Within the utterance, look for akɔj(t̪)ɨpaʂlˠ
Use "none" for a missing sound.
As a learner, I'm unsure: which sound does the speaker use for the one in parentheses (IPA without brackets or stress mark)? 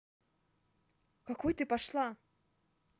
t̪